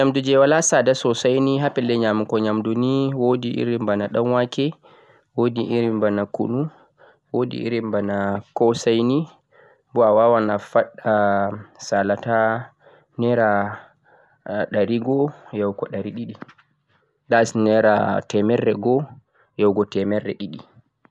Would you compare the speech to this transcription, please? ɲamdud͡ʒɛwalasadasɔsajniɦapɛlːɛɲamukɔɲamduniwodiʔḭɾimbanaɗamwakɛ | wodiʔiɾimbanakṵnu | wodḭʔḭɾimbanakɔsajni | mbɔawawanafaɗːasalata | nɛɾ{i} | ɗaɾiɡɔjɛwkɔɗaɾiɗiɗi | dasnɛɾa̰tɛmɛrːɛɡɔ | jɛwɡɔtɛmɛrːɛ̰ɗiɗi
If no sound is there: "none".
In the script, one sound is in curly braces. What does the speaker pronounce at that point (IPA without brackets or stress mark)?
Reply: a